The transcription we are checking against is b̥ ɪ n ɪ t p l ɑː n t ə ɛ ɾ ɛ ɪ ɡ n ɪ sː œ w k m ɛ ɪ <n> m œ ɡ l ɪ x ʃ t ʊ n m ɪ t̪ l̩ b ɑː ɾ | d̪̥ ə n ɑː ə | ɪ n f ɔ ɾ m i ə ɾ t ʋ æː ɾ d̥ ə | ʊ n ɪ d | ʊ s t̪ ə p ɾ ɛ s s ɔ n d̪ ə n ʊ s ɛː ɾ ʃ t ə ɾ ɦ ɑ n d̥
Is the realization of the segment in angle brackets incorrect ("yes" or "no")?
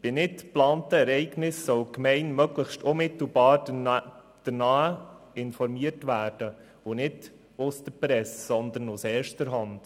no